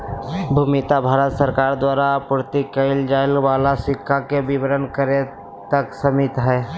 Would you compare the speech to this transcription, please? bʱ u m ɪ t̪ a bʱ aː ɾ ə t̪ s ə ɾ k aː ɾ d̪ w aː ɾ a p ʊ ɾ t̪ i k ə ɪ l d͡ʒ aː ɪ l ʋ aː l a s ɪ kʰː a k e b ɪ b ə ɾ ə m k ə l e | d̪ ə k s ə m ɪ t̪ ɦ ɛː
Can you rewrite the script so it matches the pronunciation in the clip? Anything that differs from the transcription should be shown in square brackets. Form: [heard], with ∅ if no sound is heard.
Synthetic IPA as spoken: bʱ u m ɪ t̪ a bʱ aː ɾ ə t̪ s ə ɾ k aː ɾ d̪ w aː ɾ a p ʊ ɾ t̪ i k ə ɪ l d͡ʒ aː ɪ l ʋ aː l a s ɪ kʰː a k e b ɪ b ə ɾ ə [n] k ə [ɾ] e | [t̪] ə k s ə m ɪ t̪ ɦ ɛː